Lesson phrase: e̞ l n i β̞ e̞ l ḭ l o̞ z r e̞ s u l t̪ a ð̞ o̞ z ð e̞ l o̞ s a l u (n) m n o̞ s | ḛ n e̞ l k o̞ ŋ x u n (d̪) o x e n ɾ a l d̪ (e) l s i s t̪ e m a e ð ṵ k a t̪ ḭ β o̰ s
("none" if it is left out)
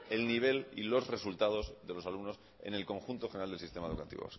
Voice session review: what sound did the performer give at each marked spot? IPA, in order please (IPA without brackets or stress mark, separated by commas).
none, t̪, e